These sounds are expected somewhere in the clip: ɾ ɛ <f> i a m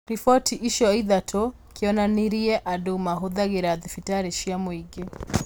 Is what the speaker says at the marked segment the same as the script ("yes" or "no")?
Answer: no